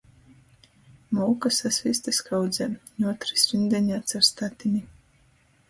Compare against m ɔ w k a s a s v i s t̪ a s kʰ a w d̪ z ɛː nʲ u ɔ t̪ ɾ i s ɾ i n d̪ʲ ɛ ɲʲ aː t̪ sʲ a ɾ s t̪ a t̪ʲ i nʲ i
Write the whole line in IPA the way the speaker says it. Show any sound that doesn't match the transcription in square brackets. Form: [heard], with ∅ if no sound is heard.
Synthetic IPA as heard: m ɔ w k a s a s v i s t̪ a s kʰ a w d̪ z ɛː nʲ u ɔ t̪ ɾ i s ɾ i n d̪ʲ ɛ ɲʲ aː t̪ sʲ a ɾ s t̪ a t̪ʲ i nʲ i